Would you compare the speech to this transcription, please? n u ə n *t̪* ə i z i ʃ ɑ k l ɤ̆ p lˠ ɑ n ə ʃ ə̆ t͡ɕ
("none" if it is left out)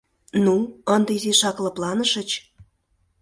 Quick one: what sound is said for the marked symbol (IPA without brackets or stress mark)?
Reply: d̪